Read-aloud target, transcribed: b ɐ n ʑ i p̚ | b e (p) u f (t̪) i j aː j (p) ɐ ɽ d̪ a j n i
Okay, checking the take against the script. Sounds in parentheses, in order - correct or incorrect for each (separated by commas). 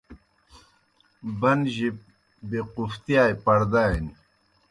incorrect, correct, correct